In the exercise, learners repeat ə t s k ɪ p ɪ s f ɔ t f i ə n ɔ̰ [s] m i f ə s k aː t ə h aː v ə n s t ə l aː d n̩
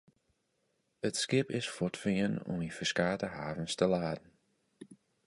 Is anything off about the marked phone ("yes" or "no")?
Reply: yes